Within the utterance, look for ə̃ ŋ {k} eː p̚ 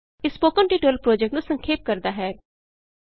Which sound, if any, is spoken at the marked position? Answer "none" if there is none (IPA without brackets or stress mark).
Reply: kʰ